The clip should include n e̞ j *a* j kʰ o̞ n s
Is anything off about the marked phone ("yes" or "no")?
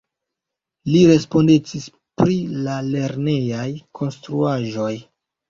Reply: no